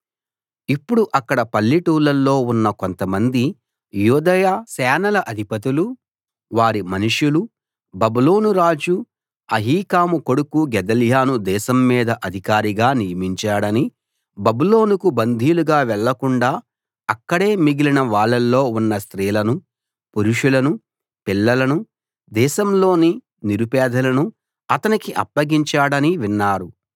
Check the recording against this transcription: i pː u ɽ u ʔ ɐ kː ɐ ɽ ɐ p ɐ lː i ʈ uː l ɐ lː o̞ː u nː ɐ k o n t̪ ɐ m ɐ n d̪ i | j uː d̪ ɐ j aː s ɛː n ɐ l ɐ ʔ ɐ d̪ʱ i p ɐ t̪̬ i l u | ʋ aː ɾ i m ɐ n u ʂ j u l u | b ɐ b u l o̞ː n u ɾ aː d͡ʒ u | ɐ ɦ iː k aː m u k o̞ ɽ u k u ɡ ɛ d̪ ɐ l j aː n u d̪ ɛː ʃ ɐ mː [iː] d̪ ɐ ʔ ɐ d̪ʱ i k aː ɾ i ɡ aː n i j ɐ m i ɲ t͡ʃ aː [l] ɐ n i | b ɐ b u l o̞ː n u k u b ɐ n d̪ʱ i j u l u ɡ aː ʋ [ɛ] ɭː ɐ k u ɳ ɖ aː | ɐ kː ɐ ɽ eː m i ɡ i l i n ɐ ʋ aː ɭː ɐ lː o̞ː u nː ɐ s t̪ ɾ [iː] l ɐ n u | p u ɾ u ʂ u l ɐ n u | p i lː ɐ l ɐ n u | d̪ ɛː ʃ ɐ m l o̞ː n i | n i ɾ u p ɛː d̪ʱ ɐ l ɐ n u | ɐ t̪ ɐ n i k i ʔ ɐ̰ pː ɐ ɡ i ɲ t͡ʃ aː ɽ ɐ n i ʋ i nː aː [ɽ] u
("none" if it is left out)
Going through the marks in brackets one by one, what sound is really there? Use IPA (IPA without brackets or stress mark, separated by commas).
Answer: iː, ɽ, ɛ, iː, ɾ